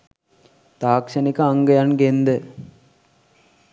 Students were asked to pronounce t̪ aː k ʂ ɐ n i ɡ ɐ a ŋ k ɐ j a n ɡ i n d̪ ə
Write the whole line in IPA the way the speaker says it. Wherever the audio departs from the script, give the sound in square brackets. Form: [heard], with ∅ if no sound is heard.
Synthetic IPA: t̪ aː k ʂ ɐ n i [k] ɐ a ŋ [ɡ] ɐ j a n ɡ [e] n d̪ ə